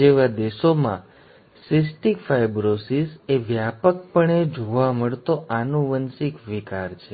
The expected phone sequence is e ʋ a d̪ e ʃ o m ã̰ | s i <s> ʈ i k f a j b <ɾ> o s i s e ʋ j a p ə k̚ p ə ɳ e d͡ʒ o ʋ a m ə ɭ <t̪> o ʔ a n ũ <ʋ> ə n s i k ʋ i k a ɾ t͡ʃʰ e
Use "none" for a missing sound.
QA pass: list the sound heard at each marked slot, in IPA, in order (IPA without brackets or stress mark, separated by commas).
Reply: s, ɾ, t̪, ʋ